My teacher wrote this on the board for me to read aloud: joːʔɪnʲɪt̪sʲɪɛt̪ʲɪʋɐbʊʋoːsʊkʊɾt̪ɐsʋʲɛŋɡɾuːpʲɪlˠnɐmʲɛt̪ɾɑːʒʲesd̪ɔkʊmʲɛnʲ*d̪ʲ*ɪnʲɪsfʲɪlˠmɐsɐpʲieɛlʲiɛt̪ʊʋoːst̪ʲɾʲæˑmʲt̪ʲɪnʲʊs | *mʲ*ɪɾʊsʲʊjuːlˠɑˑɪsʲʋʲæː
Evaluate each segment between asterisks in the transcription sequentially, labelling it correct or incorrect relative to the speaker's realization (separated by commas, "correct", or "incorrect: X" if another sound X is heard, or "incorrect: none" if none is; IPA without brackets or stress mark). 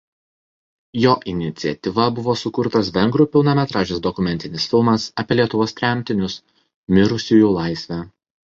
incorrect: t̪ʲ, correct